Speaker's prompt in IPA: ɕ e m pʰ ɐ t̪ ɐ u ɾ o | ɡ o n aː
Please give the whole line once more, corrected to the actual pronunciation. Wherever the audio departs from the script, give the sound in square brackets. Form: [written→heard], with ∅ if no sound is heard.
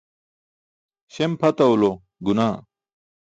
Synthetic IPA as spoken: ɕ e m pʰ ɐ t̪ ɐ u [ɾ→l] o | ɡ [o→u] n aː